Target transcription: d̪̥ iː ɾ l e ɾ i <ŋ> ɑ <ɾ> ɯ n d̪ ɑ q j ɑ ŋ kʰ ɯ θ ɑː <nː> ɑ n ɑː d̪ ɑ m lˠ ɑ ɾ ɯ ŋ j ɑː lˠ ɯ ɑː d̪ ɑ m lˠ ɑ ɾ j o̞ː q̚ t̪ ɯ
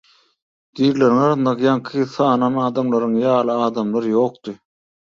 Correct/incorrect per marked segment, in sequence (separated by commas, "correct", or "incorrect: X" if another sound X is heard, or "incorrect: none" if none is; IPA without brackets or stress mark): correct, correct, incorrect: n